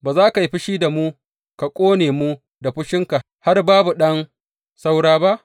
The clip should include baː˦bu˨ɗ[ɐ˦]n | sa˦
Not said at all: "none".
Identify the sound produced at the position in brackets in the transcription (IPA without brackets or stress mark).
ɐ˦